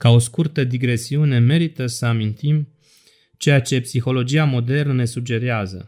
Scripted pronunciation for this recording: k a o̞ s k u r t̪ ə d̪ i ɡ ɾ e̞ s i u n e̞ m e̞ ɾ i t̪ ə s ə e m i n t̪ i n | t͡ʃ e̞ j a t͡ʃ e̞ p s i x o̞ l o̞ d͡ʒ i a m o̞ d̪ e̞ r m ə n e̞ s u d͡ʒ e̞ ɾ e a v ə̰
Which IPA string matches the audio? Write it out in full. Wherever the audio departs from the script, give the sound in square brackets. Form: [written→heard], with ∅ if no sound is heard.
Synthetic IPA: k a o̞ s k u r t̪ ə d̪ i ɡ ɾ e̞ s i u n e̞ m e̞ ɾ i t̪ ə s ə [e→a] m i n t̪ i [n→m] | t͡ʃ e̞ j a t͡ʃ e̞ p s i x o̞ l o̞ d͡ʒ i a m o̞ d̪ e̞ r [m→n] ə n e̞ s u d͡ʒ e̞ ɾ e a [v→z] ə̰